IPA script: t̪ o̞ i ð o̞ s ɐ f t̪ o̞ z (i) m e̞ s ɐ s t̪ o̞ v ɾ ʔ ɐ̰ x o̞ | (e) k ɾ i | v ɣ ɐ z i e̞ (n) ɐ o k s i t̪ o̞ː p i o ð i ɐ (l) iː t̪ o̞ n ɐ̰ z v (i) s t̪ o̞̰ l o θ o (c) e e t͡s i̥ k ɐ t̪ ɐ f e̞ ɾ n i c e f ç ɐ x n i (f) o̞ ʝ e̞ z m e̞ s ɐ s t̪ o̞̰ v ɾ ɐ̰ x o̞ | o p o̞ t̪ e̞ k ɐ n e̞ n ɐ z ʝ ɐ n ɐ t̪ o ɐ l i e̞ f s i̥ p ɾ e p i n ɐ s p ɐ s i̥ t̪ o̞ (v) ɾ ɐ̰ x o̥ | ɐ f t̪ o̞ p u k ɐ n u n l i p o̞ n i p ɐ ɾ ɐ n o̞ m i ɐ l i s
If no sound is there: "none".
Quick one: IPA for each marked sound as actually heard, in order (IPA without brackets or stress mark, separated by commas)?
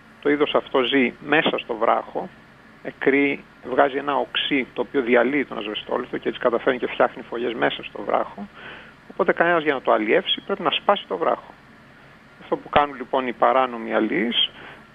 i, e, n, l, e, c, f, v